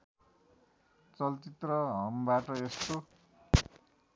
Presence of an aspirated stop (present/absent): absent